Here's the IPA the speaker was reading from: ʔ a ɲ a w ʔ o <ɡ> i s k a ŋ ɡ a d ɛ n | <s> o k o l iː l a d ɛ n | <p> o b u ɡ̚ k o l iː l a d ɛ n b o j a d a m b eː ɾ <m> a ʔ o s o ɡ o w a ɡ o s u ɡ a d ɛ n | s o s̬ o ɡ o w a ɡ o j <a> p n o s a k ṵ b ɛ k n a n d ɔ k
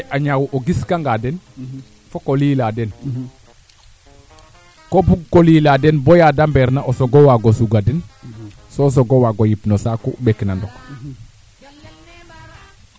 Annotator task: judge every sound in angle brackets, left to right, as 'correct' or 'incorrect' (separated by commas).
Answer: correct, incorrect, incorrect, incorrect, incorrect